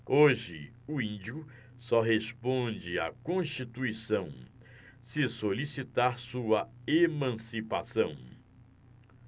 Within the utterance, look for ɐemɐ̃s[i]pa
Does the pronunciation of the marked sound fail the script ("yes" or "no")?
no